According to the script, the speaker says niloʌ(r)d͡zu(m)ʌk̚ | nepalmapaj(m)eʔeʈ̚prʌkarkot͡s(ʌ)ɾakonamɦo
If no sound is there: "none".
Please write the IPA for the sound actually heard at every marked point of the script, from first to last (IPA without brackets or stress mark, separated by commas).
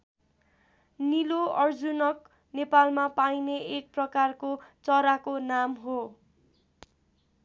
r, n, n, ʌ